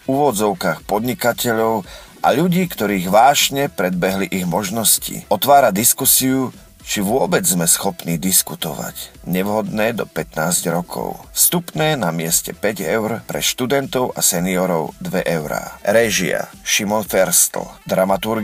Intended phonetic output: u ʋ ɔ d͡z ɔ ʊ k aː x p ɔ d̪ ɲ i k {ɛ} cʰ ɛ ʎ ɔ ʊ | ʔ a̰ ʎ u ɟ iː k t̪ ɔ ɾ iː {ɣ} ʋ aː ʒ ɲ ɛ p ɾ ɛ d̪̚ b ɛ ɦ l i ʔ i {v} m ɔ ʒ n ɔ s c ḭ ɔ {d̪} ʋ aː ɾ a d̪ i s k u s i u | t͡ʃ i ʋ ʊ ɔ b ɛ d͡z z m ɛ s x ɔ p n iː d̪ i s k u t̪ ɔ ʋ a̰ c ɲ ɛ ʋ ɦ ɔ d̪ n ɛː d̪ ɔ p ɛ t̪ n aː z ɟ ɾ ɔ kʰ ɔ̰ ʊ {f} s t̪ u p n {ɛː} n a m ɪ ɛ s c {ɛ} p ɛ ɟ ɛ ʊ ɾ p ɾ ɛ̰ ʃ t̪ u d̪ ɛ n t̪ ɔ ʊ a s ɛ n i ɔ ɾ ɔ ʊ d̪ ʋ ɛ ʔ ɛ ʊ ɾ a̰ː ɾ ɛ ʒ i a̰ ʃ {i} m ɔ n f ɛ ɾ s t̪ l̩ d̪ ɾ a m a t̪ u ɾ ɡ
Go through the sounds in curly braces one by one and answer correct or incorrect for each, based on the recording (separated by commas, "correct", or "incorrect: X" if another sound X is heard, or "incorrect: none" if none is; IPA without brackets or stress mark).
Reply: incorrect: a, correct, incorrect: ɣ, incorrect: t̪, correct, correct, correct, correct